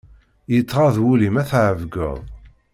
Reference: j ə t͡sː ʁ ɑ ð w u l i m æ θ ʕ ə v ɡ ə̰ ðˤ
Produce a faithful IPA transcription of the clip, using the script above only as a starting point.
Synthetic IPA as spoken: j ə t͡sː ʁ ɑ ð w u l i m æ θ ʕ ə v ɡ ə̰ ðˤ